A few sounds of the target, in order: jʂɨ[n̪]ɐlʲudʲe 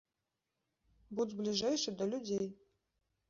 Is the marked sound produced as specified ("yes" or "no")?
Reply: no